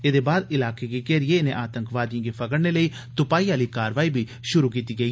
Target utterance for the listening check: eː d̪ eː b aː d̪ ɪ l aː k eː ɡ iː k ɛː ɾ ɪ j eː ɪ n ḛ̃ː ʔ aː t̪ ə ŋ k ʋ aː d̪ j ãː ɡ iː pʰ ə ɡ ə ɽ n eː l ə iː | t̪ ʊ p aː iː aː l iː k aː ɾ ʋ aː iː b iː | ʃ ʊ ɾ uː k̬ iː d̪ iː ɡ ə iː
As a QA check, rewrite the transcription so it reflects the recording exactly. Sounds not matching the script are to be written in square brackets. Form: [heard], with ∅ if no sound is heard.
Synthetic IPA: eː d̪ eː b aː d̪ ɪ l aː k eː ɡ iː k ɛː ɾ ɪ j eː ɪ n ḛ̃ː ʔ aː t̪ ə ŋ k ʋ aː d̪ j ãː ɡ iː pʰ ə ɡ ə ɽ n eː l ə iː | t̪ ʊ p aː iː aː l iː k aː ɾ ʋ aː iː b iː | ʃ ʊ ɾ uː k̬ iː [t̪] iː ɡ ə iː